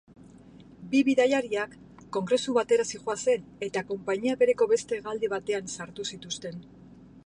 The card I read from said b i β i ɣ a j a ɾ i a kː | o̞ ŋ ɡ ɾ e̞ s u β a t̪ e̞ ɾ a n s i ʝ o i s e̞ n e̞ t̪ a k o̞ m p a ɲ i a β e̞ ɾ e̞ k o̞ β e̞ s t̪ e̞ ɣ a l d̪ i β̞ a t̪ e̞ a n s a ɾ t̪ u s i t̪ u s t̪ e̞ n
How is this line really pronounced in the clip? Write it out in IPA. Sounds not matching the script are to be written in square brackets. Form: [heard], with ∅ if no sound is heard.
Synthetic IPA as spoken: b i β i [ð] a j a ɾ i a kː | o̞ ŋ ɡ ɾ e̞ s u β a t̪ e̞ ɾ a [∅] s i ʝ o [a] s e̞ n e̞ t̪ a k o̞ m p a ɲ i a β e̞ ɾ e̞ k o̞ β e̞ s t̪ e̞ ɣ a l d̪ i β̞ a t̪ e̞ a n s a ɾ t̪ u s i t̪ u s t̪ e̞ n

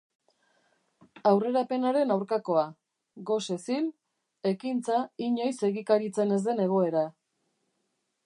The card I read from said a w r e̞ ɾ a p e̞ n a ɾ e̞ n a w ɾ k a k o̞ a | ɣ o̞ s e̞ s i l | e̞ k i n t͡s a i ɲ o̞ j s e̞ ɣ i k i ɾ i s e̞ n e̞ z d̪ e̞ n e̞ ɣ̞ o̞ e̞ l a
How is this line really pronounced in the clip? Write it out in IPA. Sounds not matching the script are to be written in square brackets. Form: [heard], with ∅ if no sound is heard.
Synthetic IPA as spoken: a w r e̞ ɾ a p e̞ n a ɾ e̞ n a w ɾ k a k o̞ a | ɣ o̞ s e̞ s i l | e̞ k i n t͡s a i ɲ o̞ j s e̞ ɣ i k [a] ɾ i [t͡s] e̞ n e̞ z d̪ e̞ n e̞ ɣ̞ o̞ e̞ [ɾ] a

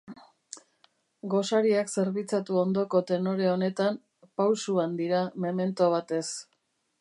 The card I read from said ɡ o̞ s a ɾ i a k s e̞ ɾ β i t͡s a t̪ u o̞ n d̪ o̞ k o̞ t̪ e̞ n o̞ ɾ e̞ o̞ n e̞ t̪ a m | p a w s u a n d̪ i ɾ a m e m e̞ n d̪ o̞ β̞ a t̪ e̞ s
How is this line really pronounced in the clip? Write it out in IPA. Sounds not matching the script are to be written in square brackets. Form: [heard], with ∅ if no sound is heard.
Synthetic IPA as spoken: ɡ o̞ s a ɾ i a k s e̞ ɾ β i t͡s a t̪ u o̞ n d̪ o̞ k o̞ t̪ e̞ n o̞ ɾ e̞ o̞ n e̞ t̪ a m | p a w s u a n d̪ i ɾ a m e m e̞ n [t̪] o̞ β̞ a t̪ e̞ s

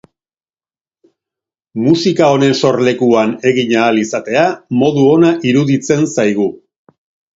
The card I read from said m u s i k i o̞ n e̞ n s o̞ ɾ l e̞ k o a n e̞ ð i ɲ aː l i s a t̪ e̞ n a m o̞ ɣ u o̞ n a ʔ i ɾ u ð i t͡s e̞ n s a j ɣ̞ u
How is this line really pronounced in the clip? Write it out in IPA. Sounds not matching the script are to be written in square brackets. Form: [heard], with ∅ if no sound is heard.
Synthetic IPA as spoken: m u s i k [a] o̞ n e̞ n s o̞ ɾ l e̞ k [u] a n e̞ [ɣ] i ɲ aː l i s a t̪ e̞ [∅] a m o̞ [ð] u o̞ n a ʔ i ɾ u ð i t͡s e̞ n s a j ɣ̞ u

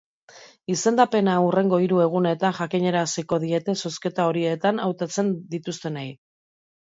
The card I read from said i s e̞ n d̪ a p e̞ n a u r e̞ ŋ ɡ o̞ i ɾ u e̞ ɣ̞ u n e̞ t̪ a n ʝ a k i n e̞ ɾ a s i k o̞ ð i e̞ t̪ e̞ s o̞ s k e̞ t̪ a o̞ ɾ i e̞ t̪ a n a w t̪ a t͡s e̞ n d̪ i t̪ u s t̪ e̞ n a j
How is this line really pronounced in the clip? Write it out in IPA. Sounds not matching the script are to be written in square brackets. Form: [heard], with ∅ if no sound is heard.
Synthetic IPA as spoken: i s e̞ n d̪ a p e̞ n a u r e̞ ŋ ɡ o̞ i ɾ u e̞ ɣ̞ u n e̞ t̪ a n ʝ a k i [ɲ] e̞ ɾ a s i k o̞ ð i e̞ t̪ e̞ s o̞ s k e̞ t̪ a o̞ ɾ i e̞ t̪ a n a w t̪ a t͡s e̞ n d̪ i t̪ u s t̪ e̞ n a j

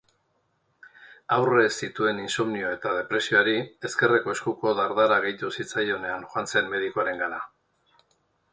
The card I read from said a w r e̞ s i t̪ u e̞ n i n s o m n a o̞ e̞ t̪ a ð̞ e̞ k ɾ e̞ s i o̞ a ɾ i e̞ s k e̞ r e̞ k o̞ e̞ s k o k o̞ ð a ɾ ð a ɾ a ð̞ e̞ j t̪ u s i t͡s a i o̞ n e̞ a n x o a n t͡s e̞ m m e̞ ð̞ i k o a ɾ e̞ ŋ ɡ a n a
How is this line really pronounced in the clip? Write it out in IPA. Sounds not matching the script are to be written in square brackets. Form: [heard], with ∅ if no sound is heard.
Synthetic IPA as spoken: a w r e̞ s i t̪ u e̞ n i n s o m n [i] o̞ e̞ t̪ a ð̞ e̞ [p] ɾ e̞ s i o̞ a ɾ i e̞ s k e̞ r e̞ k o̞ e̞ s k [u] k o̞ ð a ɾ ð a ɾ a [ɣ̞] e̞ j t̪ u s i t͡s a [j] o̞ n e̞ a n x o a n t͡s e̞ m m e̞ ð̞ i k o a ɾ e̞ ŋ ɡ a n a

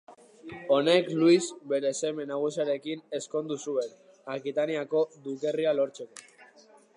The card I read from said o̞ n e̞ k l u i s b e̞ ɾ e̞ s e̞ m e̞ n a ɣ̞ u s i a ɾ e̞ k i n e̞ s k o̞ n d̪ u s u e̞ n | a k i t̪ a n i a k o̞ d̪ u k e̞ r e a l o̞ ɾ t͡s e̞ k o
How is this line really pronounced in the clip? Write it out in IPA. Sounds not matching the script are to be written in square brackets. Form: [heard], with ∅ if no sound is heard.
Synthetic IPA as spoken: o̞ n e̞ k l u i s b e̞ ɾ e̞ s e̞ m e̞ n a ɣ̞ u s i a ɾ e̞ k i n e̞ s k o̞ n d̪ u s u e̞ n | a k i t̪ a n i a k o̞ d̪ u k e̞ r [i] a l o̞ ɾ t͡s e̞ k o

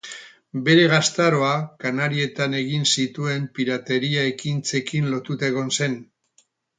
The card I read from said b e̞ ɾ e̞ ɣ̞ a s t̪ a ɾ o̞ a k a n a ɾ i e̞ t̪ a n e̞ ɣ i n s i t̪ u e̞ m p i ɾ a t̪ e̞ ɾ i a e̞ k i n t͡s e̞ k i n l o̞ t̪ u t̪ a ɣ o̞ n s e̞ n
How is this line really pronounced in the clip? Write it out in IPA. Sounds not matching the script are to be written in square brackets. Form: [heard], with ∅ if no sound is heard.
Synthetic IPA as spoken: b e̞ ɾ e̞ ɣ̞ a s t̪ a ɾ o̞ a k a n a ɾ i e̞ t̪ a n e̞ ɣ i n s i t̪ u e̞ m p i ɾ a t̪ e̞ ɾ i a e̞ k i n t͡s e̞ k i n l o̞ t̪ u t̪ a ɣ o̞ n s e̞ n

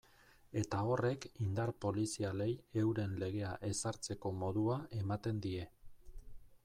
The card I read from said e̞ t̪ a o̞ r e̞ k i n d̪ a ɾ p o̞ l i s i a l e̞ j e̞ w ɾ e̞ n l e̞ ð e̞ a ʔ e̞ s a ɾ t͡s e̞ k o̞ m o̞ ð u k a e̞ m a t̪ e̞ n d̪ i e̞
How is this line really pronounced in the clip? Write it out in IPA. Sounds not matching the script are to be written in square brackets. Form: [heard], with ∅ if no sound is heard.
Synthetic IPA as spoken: e̞ t̪ a o̞ r e̞ k i n d̪ a ɾ p o̞ l i s i a l e̞ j e̞ w ɾ e̞ n l e̞ [ɣ] e̞ a ʔ e̞ s a ɾ t͡s e̞ k o̞ m o̞ ð u [∅] a e̞ m a t̪ e̞ n d̪ i e̞

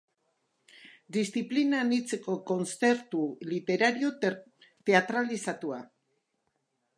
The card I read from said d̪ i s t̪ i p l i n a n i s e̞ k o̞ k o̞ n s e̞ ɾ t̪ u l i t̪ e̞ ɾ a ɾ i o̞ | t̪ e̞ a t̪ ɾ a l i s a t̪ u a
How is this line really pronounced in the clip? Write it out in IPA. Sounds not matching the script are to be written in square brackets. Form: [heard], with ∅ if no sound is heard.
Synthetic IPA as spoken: d̪ i s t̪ i p l i n a n i [t͡s] e̞ k o̞ k o̞ n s e̞ ɾ t̪ u l i t̪ e̞ ɾ a ɾ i o̞ | t̪ e̞ a t̪ ɾ a l i s a t̪ u a

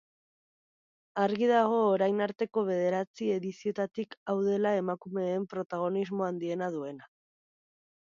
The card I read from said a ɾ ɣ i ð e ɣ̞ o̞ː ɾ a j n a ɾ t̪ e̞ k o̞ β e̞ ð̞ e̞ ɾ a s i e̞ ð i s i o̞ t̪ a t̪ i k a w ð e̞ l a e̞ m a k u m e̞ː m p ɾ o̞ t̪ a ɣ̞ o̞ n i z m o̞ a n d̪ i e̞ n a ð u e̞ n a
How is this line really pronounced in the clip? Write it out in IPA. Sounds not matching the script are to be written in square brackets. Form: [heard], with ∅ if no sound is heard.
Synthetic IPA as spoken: a ɾ ɣ i ð [a] ɣ̞ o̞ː ɾ a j n a ɾ t̪ e̞ k o̞ β e̞ ð̞ e̞ ɾ a [t͡s] i e̞ ð i s i o̞ t̪ a t̪ i k a w ð e̞ l a e̞ m a k u m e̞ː m p ɾ o̞ t̪ a ɣ̞ o̞ n i z m o̞ a n d̪ i e̞ n a ð u e̞ n a

